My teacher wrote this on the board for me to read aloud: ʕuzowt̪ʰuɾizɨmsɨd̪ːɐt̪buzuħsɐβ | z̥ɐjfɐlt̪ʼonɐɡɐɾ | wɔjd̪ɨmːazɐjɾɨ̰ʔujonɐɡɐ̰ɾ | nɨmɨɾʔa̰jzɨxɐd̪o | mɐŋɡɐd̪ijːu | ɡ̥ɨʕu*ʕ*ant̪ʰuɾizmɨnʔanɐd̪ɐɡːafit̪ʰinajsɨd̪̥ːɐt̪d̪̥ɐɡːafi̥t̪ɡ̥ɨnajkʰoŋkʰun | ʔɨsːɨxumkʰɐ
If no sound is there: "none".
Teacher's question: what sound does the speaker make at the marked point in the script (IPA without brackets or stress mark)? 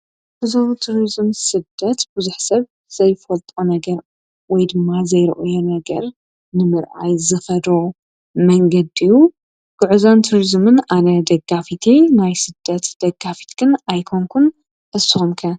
z